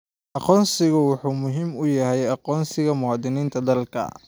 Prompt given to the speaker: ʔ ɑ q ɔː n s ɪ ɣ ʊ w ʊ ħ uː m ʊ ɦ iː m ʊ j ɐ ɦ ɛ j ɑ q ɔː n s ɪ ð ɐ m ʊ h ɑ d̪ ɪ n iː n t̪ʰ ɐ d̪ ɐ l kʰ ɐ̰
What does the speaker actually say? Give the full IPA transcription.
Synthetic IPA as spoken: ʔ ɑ q ɔː n s ɪ ɣ ʊ w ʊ ħ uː m ʊ ɦ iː m ʊ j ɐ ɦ ɛ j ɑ q ɔː n s ɪ ɣ ɐ m ʊ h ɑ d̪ ɪ n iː n t̪ʰ ɐ d̪ ɐ l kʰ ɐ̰